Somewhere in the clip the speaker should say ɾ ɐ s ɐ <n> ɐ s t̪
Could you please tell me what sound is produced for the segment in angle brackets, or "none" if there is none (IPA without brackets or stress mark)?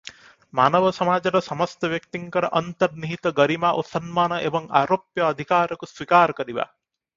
m